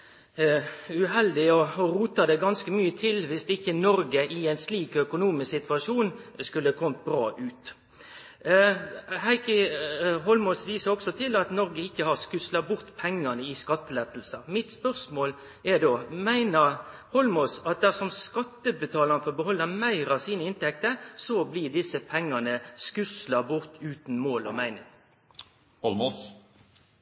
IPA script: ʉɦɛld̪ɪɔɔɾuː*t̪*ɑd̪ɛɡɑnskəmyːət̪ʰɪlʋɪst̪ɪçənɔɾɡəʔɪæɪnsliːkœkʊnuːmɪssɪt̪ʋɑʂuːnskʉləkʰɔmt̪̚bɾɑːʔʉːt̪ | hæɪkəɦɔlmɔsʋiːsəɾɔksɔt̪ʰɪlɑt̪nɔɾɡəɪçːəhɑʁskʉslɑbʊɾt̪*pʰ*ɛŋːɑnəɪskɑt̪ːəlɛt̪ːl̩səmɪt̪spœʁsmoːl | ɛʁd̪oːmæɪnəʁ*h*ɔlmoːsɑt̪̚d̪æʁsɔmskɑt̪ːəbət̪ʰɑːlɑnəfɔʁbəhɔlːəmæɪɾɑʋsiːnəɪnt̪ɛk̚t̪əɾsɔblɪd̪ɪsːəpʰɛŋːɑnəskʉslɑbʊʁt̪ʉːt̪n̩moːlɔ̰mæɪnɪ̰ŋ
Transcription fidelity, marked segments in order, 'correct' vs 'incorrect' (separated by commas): correct, correct, correct